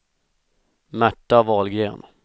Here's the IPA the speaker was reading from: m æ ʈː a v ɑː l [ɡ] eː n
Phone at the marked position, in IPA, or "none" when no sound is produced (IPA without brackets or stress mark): ɡ